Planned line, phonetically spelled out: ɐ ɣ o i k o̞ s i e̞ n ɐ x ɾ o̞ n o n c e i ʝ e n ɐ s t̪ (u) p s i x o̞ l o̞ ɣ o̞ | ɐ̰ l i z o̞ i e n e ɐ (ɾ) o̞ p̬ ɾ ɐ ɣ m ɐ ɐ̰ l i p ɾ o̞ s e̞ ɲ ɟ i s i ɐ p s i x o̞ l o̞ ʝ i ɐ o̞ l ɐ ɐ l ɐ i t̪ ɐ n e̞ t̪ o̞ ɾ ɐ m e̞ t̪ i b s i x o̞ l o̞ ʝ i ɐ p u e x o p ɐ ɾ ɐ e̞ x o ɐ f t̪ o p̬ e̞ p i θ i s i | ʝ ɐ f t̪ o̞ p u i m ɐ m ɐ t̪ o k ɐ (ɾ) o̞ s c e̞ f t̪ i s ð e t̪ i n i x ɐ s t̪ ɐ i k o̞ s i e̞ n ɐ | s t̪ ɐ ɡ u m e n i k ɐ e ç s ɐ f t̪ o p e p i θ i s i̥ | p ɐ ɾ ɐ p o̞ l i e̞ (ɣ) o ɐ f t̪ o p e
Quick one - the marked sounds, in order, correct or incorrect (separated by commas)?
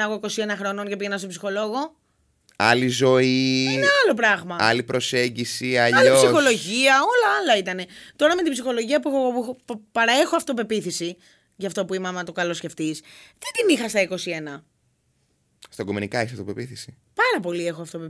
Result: incorrect, incorrect, incorrect, incorrect